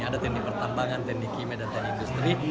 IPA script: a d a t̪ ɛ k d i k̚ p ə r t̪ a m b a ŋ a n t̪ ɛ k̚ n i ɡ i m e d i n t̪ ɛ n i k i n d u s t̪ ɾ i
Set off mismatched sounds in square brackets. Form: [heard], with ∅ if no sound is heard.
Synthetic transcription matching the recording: a d a t̪ ɛ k [n] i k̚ p ə r t̪ a m b a ŋ a n t̪ ɛ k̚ n i [k] i m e d [a] n t̪ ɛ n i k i n d u s t̪ ɾ i